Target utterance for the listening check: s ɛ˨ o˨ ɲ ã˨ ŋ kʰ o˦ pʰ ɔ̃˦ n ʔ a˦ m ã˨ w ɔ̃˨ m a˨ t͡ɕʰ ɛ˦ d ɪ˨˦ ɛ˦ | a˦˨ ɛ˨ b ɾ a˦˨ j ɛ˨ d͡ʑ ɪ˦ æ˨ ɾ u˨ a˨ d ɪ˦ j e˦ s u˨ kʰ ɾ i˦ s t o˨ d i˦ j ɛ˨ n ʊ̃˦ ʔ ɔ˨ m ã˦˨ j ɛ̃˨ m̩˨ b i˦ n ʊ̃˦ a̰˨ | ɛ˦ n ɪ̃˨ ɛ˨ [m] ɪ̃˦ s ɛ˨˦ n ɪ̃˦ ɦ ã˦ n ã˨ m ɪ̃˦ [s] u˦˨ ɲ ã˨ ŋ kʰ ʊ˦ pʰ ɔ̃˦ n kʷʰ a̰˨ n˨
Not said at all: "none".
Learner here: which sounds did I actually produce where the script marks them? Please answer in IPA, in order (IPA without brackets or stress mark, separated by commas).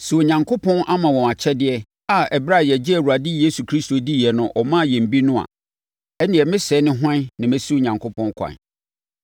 m, s